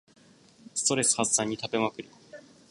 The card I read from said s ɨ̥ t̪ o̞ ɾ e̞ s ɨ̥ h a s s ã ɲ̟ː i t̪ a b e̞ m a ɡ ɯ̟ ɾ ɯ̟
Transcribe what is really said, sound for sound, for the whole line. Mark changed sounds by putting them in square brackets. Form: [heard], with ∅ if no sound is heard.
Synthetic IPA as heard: s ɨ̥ t̪ o̞ ɾ e̞ s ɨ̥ h a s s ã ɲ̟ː i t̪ a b e̞ m a [k] ɯ̟ ɾ ɯ̟